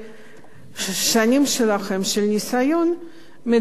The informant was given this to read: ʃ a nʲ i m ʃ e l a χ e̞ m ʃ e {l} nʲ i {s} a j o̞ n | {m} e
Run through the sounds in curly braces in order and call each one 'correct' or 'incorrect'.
correct, correct, correct

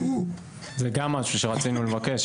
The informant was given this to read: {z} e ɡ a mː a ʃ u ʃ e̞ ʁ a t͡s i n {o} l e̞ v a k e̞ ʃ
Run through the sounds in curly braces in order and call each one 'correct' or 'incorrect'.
correct, incorrect: u

